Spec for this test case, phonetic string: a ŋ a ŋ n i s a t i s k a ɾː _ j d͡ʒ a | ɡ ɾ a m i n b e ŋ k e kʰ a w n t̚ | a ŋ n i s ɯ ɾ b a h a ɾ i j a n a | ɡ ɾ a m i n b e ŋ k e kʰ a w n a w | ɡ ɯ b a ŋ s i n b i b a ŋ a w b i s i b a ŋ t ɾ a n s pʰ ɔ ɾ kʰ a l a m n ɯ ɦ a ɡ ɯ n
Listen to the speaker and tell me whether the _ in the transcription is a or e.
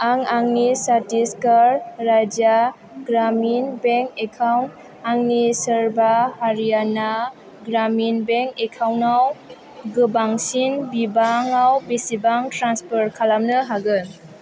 a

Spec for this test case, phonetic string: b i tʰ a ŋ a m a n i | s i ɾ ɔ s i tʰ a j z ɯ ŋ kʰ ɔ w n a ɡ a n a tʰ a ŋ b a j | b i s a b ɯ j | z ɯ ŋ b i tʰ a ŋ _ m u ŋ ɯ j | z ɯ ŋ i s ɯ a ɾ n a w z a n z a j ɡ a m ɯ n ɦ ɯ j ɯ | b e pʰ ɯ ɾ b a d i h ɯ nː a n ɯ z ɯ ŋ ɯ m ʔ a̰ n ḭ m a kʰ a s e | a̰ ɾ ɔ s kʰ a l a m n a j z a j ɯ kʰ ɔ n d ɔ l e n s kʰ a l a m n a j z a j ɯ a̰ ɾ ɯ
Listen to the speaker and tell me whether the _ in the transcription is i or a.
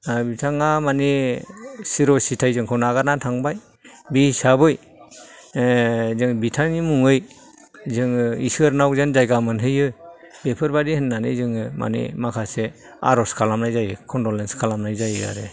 i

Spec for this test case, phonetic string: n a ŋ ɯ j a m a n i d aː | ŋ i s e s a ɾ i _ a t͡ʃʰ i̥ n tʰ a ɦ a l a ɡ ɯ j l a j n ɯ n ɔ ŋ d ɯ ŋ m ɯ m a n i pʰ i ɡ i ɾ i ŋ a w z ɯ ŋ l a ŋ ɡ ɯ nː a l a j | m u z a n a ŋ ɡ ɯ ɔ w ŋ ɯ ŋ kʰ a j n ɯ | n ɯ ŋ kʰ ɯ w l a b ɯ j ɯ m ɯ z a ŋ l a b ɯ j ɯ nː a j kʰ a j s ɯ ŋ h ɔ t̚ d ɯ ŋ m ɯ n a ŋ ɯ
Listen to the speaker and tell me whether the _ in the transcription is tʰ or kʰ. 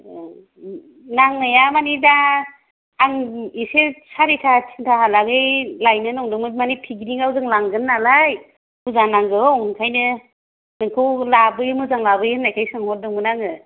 tʰ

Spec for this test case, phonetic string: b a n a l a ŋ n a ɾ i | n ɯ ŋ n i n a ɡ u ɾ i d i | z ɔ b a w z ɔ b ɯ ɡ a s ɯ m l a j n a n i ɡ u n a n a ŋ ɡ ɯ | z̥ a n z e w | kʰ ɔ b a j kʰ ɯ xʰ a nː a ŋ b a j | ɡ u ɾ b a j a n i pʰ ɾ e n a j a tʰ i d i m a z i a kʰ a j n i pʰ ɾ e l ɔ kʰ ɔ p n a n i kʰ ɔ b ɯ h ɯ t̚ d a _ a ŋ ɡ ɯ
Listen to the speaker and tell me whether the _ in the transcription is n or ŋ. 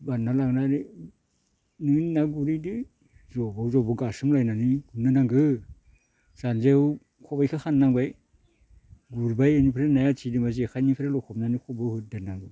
n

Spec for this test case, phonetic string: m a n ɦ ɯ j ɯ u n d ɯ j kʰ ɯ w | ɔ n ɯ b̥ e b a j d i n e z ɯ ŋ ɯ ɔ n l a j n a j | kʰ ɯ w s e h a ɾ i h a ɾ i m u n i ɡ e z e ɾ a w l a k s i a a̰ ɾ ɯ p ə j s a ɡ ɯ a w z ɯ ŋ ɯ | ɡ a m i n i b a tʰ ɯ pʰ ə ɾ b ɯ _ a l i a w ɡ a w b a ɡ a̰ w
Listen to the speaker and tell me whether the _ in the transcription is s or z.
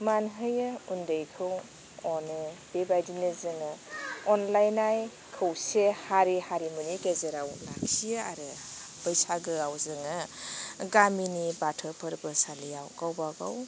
s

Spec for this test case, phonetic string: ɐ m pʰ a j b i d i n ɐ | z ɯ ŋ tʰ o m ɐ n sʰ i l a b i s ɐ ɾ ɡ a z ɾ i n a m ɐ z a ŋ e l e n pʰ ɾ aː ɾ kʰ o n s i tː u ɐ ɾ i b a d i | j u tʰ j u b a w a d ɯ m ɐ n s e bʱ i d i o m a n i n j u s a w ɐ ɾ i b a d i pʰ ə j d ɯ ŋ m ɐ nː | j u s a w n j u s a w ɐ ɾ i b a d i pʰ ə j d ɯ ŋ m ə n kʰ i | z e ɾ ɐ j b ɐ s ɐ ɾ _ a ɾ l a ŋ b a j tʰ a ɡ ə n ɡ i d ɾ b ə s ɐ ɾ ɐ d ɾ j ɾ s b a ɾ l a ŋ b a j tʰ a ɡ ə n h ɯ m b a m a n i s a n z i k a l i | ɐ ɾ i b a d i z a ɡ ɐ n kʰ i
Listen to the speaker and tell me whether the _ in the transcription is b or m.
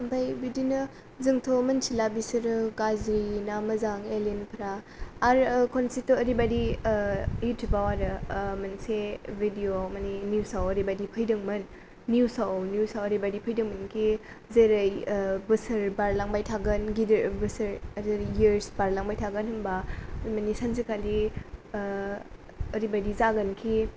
b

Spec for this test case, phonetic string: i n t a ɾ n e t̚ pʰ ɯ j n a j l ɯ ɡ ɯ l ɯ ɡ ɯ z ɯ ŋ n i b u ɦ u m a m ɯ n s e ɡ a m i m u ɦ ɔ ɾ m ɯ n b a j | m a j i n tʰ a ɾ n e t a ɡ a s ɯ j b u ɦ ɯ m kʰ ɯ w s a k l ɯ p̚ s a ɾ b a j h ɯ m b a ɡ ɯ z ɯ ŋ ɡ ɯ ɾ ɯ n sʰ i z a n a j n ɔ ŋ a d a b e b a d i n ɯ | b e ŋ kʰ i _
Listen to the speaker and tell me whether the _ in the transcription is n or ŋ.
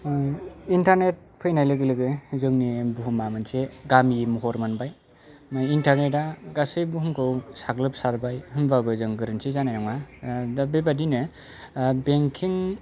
ŋ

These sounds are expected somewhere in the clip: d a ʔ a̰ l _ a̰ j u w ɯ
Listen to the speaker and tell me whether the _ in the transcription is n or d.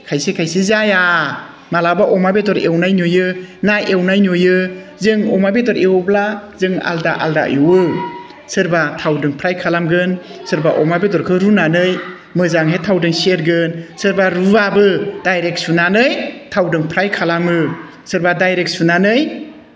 d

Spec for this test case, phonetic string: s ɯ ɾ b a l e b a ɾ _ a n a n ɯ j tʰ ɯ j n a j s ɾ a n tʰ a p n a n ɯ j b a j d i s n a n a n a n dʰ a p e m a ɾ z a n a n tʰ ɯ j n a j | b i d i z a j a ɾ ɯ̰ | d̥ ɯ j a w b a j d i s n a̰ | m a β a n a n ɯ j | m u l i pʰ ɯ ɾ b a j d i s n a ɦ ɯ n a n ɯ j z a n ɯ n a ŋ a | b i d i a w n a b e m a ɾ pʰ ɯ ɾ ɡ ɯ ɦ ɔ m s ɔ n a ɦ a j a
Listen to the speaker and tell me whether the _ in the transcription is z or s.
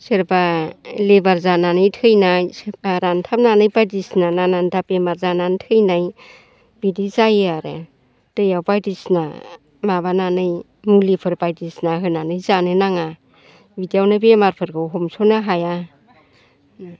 z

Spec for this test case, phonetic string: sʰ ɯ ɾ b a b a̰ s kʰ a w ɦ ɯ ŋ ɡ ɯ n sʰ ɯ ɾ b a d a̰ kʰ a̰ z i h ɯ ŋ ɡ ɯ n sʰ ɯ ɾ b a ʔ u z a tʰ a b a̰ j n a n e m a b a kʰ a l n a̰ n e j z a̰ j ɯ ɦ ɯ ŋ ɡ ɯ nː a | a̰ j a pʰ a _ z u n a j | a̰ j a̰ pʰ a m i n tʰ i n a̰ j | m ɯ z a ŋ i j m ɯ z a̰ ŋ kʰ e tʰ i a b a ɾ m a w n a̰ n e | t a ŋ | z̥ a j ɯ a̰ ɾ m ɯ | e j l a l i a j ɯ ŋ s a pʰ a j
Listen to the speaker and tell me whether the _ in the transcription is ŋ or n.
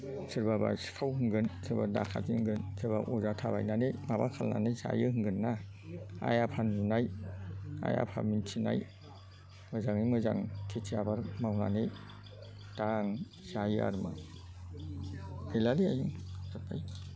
n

